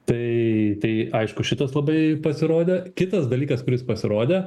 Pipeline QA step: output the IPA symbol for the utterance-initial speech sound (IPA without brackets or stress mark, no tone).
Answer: t̪